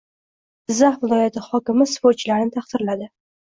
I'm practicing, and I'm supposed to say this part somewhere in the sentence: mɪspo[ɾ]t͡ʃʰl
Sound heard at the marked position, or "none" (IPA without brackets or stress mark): ɾ